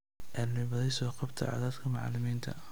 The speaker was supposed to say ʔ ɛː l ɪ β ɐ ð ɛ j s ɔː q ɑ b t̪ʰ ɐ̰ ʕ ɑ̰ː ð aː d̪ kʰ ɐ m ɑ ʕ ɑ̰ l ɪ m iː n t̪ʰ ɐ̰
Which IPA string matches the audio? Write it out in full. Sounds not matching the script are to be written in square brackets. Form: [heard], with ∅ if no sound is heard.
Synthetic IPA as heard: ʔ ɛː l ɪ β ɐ ð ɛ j s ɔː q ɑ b t̪ʰ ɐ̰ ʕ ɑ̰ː ð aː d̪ kʰ ɐ m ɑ ʕ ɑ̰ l ɪ m iː n t̪ʰ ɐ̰